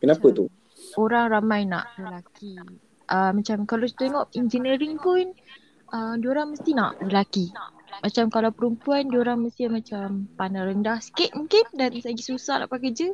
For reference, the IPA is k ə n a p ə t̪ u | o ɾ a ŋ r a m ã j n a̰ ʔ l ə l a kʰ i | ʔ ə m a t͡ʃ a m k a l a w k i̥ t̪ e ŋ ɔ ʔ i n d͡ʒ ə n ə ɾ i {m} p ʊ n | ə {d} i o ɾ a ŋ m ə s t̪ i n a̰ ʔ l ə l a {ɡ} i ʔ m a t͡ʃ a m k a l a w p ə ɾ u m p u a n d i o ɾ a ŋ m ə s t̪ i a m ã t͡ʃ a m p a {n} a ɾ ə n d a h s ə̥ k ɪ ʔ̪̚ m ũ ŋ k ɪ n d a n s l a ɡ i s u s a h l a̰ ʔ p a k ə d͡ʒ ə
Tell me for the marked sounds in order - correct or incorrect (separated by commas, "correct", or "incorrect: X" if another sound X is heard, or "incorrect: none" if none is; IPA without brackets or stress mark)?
incorrect: ŋ, correct, incorrect: k, correct